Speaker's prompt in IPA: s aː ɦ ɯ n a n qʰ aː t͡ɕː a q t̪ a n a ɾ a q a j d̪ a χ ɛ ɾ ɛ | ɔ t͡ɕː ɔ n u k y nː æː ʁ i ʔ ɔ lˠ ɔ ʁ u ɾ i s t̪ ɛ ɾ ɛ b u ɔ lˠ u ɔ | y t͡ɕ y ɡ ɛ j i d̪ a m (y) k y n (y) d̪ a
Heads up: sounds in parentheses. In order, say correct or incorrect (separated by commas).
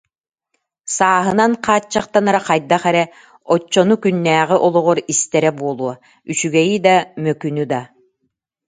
incorrect, correct